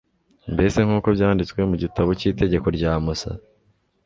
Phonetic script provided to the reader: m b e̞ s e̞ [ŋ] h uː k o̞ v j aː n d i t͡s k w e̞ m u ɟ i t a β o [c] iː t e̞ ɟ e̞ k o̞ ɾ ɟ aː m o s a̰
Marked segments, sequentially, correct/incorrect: correct, correct

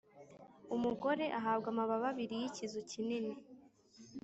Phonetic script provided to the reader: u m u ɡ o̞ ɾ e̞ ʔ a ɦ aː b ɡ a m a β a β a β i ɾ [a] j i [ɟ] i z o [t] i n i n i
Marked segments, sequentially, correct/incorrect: incorrect, incorrect, incorrect

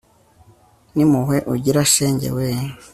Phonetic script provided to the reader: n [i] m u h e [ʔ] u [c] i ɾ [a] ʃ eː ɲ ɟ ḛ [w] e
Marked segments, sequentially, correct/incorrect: correct, correct, incorrect, correct, correct

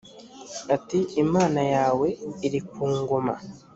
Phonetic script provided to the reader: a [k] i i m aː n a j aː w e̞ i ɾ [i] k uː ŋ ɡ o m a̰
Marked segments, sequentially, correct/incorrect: incorrect, correct

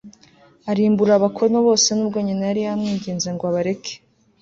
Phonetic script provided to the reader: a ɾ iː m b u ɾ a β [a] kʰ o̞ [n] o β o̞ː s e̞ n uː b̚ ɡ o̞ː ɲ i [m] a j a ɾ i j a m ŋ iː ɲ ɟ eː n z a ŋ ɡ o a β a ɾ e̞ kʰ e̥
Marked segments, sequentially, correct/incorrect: correct, correct, incorrect

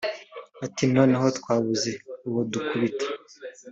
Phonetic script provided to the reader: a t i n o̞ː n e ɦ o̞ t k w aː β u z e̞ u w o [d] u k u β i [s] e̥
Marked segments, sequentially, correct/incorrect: correct, incorrect

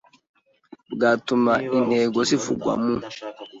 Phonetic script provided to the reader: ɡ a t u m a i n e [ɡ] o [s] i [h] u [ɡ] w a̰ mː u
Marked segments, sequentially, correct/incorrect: correct, correct, incorrect, correct

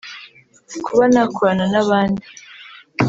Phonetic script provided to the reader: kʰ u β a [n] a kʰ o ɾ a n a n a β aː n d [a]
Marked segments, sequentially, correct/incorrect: correct, incorrect

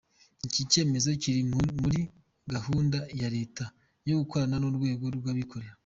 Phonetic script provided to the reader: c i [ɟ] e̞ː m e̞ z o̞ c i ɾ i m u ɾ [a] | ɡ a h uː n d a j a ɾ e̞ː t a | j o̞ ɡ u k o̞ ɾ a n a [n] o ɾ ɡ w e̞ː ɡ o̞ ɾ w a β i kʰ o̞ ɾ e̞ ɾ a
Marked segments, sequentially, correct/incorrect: incorrect, incorrect, correct

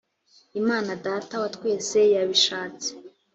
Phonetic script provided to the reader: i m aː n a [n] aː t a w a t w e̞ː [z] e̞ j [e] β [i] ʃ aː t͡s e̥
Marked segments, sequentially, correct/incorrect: incorrect, incorrect, incorrect, correct

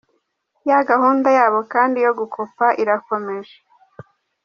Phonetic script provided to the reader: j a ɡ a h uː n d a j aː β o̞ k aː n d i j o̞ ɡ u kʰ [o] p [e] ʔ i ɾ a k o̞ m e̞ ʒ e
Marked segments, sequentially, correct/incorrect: correct, incorrect

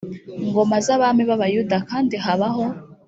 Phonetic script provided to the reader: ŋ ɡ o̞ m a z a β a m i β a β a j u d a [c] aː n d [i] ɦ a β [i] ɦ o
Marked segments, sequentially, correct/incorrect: incorrect, correct, incorrect

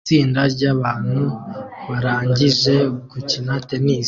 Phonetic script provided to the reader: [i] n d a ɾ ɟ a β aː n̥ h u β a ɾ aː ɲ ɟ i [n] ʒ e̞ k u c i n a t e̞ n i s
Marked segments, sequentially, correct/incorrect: incorrect, incorrect

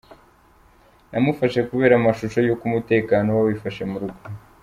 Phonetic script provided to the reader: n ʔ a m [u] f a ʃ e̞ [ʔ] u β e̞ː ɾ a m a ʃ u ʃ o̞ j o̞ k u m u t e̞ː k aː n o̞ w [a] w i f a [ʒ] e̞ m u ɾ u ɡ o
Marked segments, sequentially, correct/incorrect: correct, incorrect, correct, incorrect

